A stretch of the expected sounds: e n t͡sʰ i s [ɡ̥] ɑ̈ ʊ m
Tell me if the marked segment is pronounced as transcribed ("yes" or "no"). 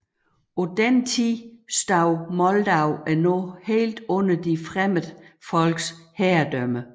no